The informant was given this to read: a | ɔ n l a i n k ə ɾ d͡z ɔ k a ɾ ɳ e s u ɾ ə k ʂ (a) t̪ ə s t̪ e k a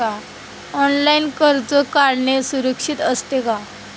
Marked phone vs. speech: incorrect: i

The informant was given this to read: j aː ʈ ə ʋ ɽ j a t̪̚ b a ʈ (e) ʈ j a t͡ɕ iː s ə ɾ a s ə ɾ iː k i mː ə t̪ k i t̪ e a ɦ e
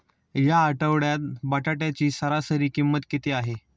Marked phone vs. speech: incorrect: a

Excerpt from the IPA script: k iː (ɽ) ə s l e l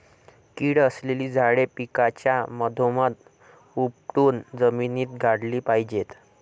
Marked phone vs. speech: correct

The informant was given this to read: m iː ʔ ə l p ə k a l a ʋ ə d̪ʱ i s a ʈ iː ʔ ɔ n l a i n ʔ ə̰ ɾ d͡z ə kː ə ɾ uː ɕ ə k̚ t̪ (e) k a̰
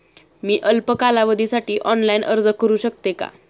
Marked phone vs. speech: correct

